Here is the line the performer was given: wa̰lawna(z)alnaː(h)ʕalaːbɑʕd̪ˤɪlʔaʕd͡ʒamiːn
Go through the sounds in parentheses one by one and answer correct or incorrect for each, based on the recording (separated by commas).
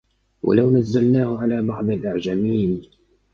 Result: incorrect, correct